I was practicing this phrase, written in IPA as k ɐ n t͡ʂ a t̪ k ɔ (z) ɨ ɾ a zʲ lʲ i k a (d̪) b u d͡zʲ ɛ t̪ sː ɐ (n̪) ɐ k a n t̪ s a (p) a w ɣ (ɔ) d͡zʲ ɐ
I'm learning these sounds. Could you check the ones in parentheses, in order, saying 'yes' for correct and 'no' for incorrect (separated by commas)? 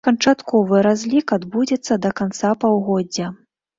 no, yes, no, yes, yes